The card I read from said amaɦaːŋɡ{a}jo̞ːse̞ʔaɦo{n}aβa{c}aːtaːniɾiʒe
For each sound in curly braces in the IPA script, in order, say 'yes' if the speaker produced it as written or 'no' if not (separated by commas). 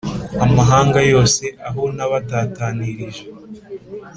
yes, yes, no